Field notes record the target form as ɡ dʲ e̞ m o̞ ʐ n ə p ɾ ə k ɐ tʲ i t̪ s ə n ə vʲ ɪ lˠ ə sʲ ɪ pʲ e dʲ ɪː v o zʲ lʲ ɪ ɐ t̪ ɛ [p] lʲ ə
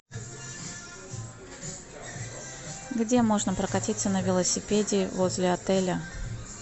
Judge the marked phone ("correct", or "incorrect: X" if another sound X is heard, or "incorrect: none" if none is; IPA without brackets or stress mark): incorrect: none